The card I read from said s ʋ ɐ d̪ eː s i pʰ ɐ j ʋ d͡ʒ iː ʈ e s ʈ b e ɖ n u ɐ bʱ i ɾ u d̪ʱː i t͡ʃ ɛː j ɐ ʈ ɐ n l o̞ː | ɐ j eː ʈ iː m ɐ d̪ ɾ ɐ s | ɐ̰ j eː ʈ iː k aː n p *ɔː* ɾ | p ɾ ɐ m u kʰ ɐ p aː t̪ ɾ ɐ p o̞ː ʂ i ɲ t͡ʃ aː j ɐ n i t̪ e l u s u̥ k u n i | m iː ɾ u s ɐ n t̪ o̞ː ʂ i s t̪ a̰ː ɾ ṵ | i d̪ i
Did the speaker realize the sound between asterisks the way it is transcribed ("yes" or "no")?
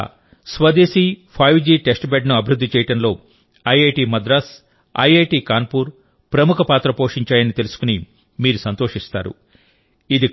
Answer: no